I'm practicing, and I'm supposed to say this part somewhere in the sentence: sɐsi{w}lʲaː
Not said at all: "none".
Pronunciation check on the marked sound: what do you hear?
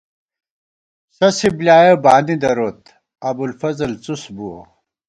b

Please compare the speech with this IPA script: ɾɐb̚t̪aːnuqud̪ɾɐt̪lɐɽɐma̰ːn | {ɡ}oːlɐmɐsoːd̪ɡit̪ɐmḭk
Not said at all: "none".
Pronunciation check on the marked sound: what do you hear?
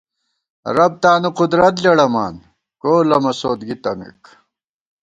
k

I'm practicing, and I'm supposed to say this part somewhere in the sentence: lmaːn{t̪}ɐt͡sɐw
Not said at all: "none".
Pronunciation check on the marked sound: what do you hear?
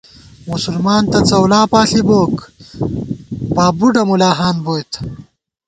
t̪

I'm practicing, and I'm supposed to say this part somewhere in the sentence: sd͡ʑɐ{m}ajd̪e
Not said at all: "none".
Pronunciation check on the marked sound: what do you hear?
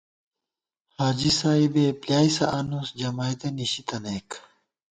m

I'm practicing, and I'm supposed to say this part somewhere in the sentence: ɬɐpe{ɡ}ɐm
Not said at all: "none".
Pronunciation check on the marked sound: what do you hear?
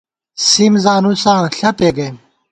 ɡ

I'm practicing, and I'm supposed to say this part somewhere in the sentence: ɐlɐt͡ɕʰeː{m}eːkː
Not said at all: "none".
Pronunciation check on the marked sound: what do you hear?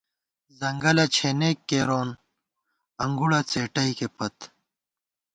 n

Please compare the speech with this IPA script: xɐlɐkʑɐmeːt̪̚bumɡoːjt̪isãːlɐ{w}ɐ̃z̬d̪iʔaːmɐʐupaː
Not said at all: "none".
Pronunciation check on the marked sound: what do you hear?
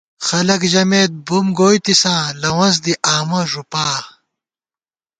w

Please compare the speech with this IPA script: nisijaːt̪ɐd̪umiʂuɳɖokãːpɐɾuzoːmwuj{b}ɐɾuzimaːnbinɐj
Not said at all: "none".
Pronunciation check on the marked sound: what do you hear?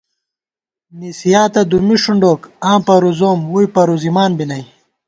p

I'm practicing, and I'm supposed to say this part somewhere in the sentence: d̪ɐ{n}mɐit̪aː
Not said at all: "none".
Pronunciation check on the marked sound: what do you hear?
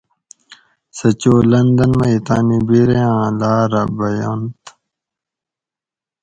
n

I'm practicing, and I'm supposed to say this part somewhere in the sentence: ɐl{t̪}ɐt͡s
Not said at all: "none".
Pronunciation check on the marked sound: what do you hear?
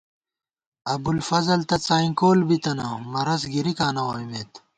t̪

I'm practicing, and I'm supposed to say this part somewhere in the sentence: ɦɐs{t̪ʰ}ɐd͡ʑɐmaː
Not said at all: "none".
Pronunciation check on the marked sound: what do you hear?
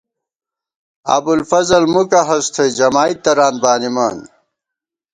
t̪ʰ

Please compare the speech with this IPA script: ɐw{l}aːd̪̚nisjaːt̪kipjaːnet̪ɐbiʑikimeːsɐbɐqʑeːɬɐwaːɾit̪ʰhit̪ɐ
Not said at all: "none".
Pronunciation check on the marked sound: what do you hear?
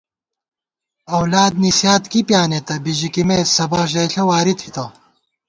l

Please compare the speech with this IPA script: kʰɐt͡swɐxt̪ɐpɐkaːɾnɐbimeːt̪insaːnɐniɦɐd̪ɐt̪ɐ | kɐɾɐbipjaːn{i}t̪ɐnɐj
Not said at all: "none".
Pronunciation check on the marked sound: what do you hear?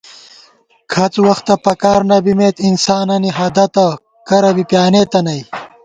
e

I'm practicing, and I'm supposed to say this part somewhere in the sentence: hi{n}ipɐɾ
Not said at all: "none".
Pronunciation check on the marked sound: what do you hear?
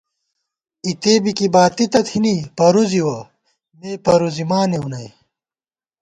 n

